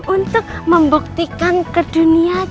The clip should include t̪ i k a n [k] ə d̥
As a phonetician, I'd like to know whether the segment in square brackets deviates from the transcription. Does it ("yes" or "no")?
no